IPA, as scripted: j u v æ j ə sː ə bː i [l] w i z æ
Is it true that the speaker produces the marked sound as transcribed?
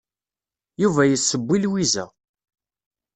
yes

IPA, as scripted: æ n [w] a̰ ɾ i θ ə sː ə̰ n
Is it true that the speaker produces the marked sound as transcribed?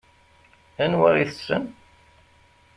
yes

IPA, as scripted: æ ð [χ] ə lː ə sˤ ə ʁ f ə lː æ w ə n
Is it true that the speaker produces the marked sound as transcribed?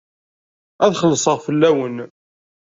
yes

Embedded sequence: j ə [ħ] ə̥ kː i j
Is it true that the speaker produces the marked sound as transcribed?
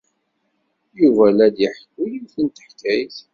yes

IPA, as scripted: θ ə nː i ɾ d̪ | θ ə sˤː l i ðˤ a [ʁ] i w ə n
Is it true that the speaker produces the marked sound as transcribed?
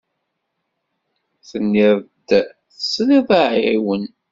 no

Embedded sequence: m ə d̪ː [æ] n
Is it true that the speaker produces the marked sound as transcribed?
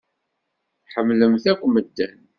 yes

